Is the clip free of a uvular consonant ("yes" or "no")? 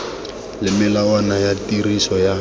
yes